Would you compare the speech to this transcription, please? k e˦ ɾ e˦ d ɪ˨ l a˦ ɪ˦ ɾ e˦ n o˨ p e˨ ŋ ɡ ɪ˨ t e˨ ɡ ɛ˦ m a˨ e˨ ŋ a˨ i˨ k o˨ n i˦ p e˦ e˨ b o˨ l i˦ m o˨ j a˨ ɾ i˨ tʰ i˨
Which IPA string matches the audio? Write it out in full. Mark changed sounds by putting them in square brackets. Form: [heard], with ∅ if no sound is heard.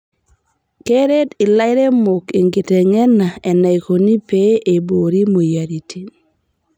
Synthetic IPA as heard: k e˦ ɾ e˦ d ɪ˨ l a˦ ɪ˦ ɾ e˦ [m] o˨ [k] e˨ ŋ ɡ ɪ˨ t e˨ [ŋ] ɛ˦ [n] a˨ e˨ [n] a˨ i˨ k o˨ n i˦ p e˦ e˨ b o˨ [ɾ] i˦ m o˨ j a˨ ɾ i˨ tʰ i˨